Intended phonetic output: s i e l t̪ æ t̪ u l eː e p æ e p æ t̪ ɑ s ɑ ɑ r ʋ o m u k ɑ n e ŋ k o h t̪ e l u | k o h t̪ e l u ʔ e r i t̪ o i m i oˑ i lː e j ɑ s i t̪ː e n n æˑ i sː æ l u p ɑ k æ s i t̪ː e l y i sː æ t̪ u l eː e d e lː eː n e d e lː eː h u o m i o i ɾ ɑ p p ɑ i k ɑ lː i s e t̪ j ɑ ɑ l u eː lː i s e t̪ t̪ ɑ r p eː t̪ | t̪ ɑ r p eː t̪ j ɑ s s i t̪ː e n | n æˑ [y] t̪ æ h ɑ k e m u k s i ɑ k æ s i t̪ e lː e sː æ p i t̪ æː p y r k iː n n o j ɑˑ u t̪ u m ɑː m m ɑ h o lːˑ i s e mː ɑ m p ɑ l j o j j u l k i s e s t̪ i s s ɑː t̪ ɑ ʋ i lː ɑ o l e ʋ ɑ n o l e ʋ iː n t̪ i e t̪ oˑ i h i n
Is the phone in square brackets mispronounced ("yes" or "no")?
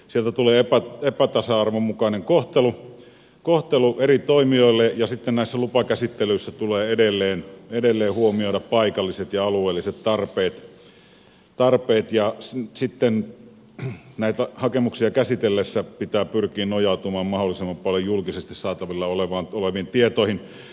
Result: yes